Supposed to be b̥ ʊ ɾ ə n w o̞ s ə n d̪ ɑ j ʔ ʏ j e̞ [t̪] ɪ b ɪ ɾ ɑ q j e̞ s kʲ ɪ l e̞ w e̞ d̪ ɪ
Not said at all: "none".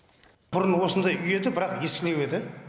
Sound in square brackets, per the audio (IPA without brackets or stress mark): d̪